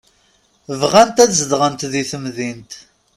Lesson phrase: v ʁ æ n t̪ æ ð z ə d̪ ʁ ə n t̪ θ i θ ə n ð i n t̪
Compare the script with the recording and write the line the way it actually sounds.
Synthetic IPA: v ʁ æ n t̪ æ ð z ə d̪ ʁ ə n t̪ ð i θ ə m ð i n t̪